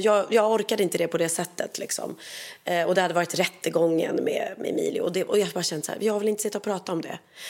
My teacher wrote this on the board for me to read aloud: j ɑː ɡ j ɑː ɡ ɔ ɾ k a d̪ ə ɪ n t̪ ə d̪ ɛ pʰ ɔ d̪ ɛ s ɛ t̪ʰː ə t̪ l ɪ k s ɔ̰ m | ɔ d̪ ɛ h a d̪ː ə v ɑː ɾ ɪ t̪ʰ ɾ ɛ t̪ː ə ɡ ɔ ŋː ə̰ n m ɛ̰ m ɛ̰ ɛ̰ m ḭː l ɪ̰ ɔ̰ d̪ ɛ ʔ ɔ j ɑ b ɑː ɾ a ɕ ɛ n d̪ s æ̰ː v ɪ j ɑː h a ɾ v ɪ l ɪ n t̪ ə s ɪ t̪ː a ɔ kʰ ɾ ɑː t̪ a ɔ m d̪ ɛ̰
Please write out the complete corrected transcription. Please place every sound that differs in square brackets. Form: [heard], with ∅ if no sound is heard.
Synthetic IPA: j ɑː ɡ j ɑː ɡ ɔ ɾ k a d̪ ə ɪ n t̪ ə d̪ ɛ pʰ ɔ d̪ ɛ s ɛ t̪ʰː ə t̪ l ɪ k s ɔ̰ m | ɔ d̪ ɛ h a [d̪] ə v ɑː ɾ ɪ [t̪] ɾ ɛ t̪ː ə ɡ ɔ ŋː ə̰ n m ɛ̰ m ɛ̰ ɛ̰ m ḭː l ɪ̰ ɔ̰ d̪ ɛ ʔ ɔ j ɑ b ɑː ɾ a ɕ ɛ n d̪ s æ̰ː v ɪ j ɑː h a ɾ v ɪ l ɪ n t̪ ə s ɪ t̪ː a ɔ [pʰ] ɾ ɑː t̪ a ɔ m d̪ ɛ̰